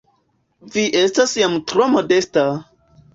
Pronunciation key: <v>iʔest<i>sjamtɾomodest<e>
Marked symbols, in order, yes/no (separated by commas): yes, no, no